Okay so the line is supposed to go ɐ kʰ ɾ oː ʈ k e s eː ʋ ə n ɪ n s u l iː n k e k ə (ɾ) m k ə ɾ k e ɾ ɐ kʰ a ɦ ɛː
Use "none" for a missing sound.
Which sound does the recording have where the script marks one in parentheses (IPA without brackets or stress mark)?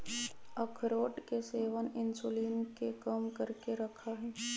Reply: none